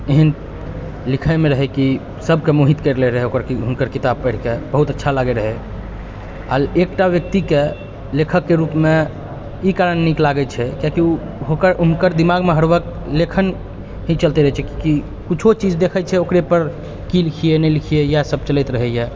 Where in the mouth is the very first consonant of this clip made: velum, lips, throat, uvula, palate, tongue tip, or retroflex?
throat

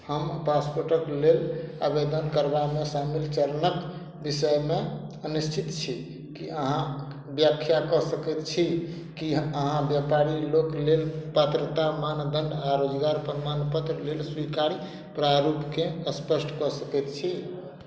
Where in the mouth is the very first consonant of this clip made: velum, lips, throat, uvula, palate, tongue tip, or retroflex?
throat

